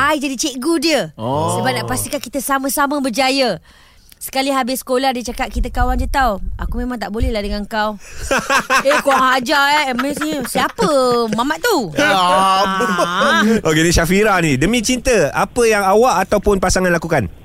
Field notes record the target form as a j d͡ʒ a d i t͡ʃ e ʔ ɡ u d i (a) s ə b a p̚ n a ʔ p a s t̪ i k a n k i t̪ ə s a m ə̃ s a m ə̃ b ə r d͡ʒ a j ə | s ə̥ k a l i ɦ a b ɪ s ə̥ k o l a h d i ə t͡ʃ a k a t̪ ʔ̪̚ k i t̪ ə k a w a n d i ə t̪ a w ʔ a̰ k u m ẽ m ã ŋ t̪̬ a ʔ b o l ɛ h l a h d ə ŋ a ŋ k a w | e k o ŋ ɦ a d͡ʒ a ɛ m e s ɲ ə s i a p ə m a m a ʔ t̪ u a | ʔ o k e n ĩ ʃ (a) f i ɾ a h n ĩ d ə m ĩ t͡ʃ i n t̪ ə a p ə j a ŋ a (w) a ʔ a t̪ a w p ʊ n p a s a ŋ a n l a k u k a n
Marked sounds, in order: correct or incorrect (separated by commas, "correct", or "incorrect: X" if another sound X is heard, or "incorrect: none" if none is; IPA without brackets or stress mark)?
incorrect: ə, correct, correct